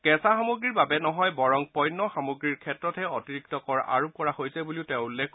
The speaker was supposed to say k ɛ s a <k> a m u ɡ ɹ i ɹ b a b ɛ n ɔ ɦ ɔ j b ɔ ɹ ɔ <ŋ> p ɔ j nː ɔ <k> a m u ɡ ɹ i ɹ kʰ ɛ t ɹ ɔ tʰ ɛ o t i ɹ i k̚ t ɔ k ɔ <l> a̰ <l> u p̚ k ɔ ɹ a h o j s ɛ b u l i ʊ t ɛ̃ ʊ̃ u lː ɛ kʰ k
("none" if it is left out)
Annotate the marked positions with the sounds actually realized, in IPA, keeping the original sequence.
x, ŋ, x, ɹ, ɹ

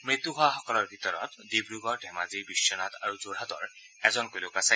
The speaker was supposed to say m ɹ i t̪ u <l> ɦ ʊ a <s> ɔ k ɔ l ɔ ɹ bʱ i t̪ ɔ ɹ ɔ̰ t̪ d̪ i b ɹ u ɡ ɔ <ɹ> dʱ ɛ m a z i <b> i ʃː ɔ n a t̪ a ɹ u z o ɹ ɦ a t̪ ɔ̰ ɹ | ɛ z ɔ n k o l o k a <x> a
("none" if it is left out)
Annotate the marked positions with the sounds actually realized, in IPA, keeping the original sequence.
none, x, ɹ, b, s

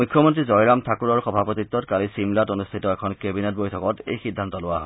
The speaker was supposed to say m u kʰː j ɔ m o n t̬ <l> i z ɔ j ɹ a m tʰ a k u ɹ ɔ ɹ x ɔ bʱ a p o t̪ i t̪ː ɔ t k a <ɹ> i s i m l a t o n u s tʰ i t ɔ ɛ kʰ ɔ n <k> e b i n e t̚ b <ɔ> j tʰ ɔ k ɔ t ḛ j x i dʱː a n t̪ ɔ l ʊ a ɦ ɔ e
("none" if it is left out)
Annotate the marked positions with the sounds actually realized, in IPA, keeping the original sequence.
ɹ, l, k, o

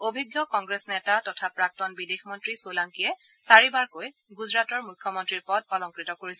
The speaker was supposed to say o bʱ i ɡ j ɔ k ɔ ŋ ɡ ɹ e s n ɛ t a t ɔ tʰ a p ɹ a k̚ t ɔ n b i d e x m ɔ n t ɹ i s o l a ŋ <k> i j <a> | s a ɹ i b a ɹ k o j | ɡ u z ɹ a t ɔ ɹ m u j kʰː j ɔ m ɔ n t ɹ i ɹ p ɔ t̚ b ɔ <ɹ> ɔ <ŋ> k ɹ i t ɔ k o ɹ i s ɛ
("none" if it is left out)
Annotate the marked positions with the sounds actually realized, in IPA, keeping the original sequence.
k, ɛ, l, ŋ

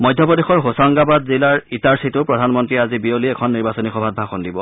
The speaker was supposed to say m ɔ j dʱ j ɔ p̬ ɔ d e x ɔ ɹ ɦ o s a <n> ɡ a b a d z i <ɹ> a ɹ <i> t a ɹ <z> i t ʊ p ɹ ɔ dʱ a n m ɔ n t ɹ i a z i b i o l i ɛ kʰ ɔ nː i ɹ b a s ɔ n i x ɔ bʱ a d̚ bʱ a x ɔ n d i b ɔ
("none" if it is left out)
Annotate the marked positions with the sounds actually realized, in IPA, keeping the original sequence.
ŋ, l, i, s

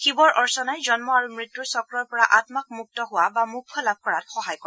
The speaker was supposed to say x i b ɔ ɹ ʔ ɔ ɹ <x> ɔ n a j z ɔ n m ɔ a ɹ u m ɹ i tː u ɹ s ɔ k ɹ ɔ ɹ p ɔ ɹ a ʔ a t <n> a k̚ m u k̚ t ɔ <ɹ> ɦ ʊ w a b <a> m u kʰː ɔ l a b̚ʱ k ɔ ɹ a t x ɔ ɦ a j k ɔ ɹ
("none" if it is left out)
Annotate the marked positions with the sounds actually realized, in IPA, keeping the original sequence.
s, m, none, a

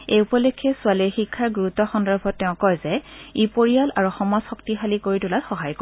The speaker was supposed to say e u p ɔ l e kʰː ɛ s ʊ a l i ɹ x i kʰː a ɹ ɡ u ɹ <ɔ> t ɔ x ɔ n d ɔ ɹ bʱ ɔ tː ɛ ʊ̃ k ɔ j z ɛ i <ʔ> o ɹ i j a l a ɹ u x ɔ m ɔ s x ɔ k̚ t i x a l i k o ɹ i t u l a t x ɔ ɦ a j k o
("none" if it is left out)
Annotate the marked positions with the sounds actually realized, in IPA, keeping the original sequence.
u, p

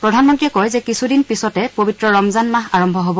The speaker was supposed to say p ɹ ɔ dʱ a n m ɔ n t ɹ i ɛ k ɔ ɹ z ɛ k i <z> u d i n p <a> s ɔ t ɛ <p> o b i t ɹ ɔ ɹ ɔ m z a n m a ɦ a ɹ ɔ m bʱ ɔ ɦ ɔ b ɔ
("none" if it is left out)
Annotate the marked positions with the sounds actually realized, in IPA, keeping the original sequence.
s, i, p

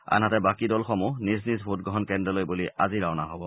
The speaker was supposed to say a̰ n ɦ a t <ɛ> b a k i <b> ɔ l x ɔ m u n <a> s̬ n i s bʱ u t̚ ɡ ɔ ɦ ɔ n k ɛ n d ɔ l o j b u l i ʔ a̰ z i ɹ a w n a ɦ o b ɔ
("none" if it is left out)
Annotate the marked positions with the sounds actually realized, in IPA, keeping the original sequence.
ɛ, d, i

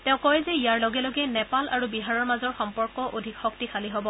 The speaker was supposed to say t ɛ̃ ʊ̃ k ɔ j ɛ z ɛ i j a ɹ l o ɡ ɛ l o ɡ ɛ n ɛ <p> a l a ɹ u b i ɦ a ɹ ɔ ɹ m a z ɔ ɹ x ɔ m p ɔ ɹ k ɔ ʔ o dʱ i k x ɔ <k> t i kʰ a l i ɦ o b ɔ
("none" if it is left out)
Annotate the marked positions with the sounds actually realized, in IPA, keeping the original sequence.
p, k

